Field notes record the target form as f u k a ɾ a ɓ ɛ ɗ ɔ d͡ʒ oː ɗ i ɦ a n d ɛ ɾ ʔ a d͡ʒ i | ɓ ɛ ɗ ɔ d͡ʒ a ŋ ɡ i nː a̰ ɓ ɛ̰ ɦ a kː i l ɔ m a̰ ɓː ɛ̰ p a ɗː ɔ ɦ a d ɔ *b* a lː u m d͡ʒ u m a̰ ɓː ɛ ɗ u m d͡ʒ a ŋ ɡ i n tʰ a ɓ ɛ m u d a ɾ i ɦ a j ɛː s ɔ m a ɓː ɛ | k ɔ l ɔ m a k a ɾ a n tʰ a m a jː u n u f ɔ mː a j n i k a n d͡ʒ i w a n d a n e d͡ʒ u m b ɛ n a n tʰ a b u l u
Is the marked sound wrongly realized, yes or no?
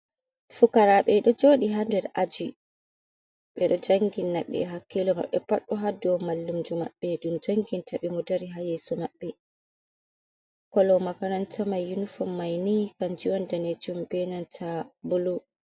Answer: yes